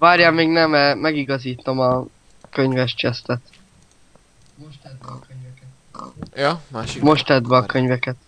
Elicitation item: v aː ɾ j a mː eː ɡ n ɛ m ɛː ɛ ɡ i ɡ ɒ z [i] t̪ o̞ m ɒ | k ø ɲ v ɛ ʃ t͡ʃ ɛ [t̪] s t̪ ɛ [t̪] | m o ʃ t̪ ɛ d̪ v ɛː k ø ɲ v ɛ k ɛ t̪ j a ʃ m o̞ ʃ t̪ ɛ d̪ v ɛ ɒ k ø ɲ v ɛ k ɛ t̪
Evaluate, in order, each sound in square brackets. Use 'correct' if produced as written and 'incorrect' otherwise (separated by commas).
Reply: incorrect, incorrect, correct